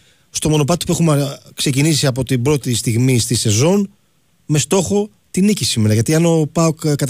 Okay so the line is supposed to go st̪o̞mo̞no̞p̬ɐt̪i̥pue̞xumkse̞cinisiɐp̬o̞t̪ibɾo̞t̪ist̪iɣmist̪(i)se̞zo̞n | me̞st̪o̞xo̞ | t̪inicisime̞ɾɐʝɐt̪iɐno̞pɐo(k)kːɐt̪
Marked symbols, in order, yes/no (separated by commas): yes, yes